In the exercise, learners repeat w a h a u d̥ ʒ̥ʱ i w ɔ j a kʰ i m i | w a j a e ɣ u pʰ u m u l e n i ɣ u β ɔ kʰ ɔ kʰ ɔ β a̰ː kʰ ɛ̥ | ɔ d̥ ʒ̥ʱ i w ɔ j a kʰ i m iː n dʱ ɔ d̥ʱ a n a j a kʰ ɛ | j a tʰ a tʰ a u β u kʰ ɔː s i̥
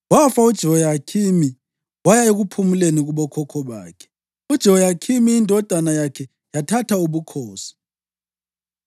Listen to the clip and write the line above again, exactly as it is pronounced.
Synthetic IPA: w a f a u d̥ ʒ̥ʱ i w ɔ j a kʰ i m i | w a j a e ɣ u pʰ u m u l e n i ɣ u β ɔ kʰ ɔ kʰ ɔ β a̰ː kʰ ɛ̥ | u d̥ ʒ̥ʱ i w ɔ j a kʰ i m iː n dʱ ɔ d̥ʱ a n a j a kʰ ɛ | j a tʰ a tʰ a u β u kʰ ɔː s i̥